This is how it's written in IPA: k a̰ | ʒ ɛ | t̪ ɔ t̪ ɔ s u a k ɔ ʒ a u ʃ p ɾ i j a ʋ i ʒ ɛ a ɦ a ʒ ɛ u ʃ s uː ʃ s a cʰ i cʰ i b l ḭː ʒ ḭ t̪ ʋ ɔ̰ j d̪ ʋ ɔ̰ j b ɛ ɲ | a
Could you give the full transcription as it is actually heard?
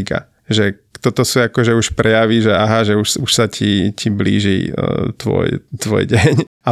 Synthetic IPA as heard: k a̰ | ʒ ɛ | t̪ ɔ t̪ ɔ s u a k ɔ ʒ ɛ u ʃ p ɾ ɛ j a ʋ i ʒ ɛ a ɦ a ʒ ɛ u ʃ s u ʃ s a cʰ i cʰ i b l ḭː ʒ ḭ t̪ ʋ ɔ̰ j t̪ ʋ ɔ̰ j ɟ ɛ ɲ | a